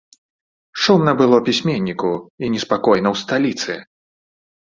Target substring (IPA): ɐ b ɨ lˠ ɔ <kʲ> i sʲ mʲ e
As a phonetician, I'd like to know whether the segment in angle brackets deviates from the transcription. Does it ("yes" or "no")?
yes